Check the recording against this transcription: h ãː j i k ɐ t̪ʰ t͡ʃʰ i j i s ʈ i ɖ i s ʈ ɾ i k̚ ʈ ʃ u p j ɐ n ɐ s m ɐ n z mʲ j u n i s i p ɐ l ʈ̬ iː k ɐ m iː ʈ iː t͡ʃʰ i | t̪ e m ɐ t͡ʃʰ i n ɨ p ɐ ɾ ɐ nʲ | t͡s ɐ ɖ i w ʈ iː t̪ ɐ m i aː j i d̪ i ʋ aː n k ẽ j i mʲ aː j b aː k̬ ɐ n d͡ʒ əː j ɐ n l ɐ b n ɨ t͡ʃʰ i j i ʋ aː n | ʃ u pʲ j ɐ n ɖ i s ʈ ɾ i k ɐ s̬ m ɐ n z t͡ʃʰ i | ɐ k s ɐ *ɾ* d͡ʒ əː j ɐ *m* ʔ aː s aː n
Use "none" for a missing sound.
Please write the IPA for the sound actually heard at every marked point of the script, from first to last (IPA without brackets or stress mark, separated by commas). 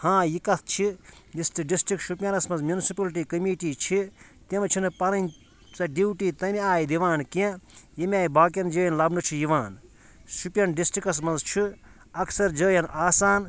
ɾ, n